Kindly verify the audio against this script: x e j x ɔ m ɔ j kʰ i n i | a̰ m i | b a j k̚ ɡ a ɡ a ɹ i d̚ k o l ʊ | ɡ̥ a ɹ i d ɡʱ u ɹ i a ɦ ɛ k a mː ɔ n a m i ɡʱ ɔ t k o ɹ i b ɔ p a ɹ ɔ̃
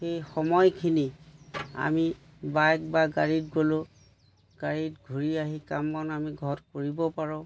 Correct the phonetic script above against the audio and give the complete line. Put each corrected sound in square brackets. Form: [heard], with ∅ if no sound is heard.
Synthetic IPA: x e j x ɔ m ɔ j kʰ i n i | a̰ m i | b a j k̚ [b] a ɡ a ɹ i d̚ [ɡ] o l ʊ | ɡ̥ a ɹ i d ɡʱ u ɹ i a ɦ [i] k a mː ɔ n a m i ɡʱ ɔ t k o ɹ i b ɔ p a ɹ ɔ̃